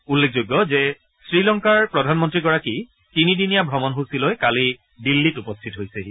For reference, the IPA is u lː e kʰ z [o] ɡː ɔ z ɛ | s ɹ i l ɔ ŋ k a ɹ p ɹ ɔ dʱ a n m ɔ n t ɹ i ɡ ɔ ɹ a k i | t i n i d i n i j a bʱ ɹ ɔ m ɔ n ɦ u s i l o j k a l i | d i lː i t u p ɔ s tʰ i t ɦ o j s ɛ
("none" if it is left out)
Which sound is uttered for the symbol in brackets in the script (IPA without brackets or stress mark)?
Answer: o